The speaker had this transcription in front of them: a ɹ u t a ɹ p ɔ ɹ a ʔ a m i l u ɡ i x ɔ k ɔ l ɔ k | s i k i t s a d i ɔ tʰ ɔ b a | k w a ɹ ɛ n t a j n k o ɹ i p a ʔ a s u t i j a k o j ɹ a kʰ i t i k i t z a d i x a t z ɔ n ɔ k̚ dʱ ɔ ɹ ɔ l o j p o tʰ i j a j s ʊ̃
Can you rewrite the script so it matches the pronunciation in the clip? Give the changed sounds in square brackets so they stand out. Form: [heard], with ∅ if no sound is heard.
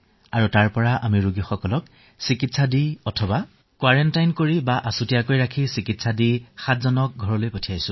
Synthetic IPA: a ɹ u t a ɹ p ɔ ɹ a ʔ a m i [ɹ] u ɡ i x ɔ k ɔ l ɔ k | s i k i t s a d i ɔ tʰ ɔ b a | k w a ɹ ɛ n t a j n k o ɹ i [b] a ʔ a s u t i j a k o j ɹ a kʰ i [s] i k i t [s] a d i x a t z ɔ n ɔ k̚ [ɡʱ] ɔ ɹ ɔ l o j p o tʰ i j a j s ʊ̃